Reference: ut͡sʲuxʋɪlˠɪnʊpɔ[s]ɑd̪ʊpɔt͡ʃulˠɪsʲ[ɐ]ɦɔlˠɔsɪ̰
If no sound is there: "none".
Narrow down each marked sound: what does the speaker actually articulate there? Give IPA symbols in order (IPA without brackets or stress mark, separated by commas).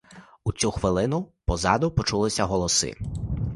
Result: z, ɐ